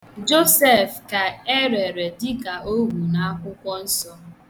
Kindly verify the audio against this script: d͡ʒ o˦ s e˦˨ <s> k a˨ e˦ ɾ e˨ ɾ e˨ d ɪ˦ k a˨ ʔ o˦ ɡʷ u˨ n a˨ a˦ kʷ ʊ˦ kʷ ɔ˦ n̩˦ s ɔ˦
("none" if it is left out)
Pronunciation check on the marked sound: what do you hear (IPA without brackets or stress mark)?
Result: f